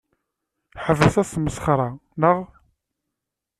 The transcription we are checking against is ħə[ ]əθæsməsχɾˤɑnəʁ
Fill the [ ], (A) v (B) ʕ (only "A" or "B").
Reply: A